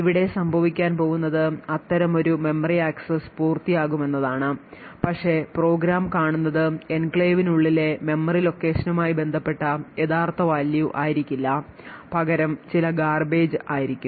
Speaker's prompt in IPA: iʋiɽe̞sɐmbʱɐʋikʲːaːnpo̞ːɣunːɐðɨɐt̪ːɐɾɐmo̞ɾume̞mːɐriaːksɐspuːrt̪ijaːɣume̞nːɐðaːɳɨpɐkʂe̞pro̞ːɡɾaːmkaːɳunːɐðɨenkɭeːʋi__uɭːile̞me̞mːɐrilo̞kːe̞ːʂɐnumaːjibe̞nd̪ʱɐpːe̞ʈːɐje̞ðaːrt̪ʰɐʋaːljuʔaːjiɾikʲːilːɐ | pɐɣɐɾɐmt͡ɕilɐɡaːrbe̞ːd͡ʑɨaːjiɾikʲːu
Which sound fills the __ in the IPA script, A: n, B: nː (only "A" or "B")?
A